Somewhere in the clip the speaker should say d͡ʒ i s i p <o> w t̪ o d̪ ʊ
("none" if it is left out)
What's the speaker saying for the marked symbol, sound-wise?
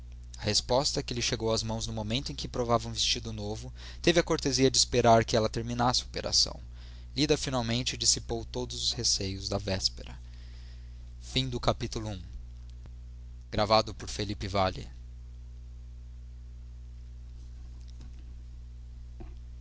o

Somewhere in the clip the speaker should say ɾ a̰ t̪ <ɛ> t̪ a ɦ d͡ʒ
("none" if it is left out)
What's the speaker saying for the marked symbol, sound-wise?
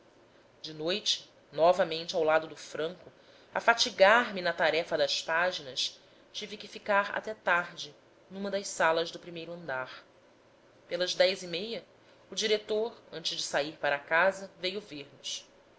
ɛ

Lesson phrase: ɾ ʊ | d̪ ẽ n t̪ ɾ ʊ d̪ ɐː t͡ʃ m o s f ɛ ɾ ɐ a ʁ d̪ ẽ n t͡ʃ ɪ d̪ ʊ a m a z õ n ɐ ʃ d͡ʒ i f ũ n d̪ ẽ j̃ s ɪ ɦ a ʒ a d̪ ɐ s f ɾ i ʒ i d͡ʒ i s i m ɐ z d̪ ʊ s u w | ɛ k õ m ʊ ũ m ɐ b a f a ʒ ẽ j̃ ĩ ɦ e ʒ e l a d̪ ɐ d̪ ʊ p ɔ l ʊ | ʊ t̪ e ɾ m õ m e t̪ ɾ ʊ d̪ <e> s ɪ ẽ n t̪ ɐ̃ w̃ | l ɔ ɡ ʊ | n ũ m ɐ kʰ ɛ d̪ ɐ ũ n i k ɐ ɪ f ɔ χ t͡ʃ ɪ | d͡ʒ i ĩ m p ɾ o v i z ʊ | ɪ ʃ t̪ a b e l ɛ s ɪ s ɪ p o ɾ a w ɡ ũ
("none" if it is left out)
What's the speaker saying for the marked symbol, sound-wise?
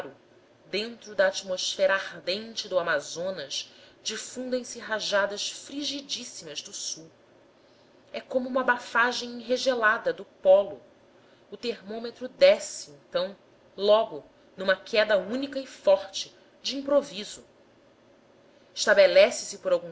ɛ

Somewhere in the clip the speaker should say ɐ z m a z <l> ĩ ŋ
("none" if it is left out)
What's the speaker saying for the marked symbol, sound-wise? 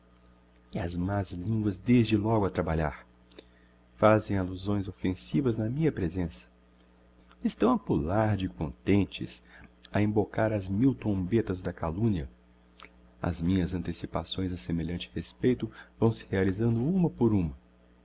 l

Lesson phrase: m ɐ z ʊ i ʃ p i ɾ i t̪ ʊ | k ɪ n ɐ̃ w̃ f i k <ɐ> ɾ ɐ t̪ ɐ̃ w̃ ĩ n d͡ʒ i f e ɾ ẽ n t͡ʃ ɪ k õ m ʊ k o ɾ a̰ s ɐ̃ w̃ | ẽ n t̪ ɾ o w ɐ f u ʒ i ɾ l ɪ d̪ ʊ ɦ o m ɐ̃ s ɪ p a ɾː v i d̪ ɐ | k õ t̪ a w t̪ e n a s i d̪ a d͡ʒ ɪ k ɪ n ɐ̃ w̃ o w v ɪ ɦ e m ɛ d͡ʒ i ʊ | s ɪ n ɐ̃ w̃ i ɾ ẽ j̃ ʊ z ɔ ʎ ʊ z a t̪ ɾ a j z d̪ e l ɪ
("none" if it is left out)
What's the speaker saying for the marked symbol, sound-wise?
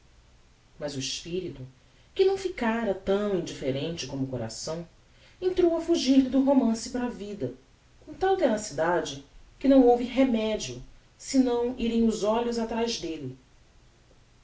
a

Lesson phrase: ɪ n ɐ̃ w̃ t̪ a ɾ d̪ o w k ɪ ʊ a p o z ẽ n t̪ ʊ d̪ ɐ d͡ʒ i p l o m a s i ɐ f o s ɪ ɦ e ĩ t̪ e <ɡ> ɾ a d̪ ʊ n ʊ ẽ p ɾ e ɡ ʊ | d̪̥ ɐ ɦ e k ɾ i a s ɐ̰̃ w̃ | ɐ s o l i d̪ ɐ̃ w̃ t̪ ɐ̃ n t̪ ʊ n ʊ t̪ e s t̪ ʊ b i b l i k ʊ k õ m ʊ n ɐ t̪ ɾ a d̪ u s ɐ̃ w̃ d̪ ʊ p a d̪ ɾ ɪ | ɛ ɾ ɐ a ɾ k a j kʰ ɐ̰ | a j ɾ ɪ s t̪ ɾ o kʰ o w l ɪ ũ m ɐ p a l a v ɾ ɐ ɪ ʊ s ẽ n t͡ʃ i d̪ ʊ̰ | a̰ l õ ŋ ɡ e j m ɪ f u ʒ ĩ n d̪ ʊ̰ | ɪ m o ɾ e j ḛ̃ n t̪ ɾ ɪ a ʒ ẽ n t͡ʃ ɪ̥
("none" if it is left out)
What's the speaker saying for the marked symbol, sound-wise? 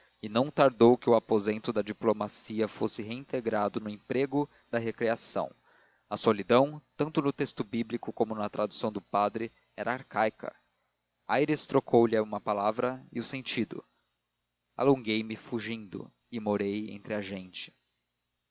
ɡ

